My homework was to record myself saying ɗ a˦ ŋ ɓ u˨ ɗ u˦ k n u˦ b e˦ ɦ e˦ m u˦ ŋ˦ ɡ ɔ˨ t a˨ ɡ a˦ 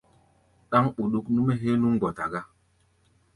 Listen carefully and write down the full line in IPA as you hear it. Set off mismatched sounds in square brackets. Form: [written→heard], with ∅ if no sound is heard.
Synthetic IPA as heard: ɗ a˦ ŋ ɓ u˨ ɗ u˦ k n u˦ [b→m] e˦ ɦ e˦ [m→n] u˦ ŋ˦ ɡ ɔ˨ t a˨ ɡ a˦